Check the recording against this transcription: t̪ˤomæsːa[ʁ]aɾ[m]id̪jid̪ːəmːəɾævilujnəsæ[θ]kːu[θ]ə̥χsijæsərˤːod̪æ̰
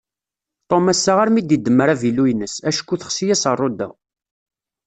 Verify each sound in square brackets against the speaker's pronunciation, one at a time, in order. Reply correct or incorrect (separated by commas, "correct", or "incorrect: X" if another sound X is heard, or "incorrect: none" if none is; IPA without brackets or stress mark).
correct, correct, incorrect: ʃ, correct